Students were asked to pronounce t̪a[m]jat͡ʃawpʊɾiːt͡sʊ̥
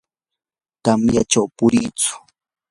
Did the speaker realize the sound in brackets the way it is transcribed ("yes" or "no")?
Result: yes